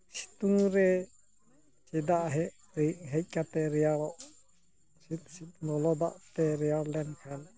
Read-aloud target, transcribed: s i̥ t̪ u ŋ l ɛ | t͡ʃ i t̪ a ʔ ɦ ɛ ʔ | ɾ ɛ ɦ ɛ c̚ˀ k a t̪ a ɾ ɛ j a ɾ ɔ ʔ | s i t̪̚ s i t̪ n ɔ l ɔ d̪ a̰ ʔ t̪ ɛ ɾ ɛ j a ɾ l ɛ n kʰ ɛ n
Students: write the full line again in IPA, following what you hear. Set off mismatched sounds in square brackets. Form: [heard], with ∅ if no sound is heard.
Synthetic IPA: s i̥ t̪ u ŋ [ɾ] ɛ | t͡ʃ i [d̪] a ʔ ɦ ɛ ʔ | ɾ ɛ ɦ ɛ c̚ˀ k a t̪ [ɛ] ɾ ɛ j a ɾ ɔ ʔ | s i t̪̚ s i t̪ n ɔ l ɔ d̪ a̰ ʔ t̪ ɛ ɾ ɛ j a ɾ l ɛ n kʰ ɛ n